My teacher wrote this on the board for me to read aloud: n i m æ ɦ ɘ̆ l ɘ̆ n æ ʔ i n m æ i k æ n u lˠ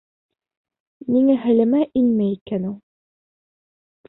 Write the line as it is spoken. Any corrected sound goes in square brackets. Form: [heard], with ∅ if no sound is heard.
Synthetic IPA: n i [ŋ] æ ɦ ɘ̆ l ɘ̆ [m] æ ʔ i n m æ i k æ n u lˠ